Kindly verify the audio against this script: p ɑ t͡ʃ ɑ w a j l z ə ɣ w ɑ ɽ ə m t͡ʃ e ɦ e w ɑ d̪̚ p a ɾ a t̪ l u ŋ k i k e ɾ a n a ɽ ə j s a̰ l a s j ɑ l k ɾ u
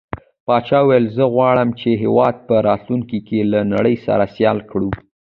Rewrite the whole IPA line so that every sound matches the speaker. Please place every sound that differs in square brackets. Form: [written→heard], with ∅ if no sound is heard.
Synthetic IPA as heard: p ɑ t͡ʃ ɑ w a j l z ə ɣ w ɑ ɽ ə m t͡ʃ e ɦ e w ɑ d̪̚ p [a→ə] ɾ [a→ɑ] t̪ l u ŋ k i k e [ɾ→l] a n a ɽ ə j s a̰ [l→ɾ] a s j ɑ l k [ɾ→ɽ] u